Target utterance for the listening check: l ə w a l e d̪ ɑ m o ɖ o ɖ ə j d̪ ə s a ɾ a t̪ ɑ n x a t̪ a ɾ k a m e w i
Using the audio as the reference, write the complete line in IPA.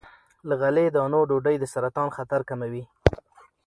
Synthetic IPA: l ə ɣ a l e d̪ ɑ n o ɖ o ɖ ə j d̪ ə s a ɾ a t̪ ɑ n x a t̪ a ɾ k a m a w i